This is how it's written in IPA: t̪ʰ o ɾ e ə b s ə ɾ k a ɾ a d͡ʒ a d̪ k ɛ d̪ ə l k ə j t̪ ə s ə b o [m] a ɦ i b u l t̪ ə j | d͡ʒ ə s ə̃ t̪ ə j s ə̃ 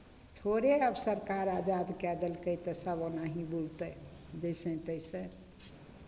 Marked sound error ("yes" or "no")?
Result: yes